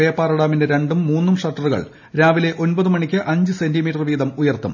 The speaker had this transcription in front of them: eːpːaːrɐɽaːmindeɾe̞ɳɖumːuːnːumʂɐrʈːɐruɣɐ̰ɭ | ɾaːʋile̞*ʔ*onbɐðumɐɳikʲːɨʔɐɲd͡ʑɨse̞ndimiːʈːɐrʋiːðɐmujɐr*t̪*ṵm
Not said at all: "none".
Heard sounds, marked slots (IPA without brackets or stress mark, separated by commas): ʔ, t̪